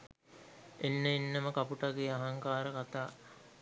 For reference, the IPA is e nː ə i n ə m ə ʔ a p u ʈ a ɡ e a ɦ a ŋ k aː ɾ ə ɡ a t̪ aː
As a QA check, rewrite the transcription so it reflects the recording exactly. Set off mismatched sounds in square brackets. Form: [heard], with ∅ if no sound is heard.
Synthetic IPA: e nː ə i [nː] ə m ə [k] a p u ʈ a ɡ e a ɦ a ŋ k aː ɾ ə [k] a t̪ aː